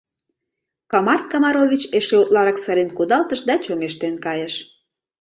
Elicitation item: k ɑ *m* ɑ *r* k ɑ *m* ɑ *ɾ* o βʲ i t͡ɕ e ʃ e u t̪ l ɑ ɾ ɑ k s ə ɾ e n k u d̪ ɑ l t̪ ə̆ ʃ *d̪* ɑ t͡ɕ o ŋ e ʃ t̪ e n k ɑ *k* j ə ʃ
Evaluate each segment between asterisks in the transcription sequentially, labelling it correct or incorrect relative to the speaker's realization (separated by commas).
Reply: correct, correct, correct, correct, correct, incorrect